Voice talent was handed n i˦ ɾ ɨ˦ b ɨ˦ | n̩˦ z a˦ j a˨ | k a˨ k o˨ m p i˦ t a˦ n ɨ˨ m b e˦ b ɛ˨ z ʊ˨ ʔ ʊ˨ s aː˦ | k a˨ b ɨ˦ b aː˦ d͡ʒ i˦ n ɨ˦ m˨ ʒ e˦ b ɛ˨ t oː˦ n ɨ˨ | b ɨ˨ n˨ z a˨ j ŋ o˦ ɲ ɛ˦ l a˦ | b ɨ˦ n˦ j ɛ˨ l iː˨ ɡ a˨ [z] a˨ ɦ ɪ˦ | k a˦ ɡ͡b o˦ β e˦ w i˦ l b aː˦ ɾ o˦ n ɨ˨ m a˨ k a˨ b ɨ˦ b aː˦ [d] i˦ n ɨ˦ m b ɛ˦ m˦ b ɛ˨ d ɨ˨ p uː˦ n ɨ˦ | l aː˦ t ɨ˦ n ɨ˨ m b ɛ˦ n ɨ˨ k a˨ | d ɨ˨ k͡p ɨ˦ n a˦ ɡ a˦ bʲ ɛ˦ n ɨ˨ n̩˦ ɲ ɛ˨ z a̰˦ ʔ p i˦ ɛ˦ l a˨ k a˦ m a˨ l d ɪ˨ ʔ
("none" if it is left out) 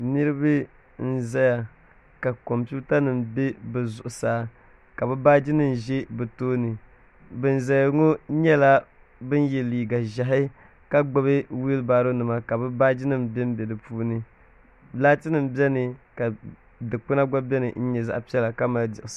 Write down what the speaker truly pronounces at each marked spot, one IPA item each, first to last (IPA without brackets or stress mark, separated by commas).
ʒ, d͡ʒ